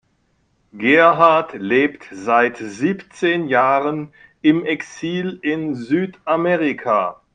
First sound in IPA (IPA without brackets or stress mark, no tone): ɡ